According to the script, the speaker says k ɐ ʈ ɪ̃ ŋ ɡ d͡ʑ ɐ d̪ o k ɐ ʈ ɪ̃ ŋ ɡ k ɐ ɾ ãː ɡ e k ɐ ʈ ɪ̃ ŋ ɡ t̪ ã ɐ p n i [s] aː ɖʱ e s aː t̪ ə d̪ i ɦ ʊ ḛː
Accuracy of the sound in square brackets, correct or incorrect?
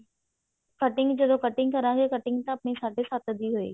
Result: correct